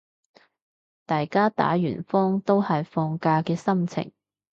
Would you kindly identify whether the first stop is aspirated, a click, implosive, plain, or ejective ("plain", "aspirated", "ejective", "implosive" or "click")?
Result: plain